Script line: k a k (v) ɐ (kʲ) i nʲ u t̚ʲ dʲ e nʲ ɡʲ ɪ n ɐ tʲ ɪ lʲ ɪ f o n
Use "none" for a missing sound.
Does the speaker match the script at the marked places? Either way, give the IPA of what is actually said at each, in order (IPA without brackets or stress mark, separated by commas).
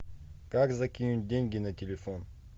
z, kʲ